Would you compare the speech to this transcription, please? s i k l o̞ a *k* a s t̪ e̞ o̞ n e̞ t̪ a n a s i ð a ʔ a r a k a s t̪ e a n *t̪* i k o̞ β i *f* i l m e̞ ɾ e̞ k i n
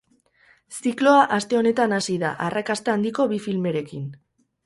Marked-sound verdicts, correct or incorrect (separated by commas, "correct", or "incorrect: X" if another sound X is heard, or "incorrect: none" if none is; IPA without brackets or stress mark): incorrect: ʔ, incorrect: d̪, correct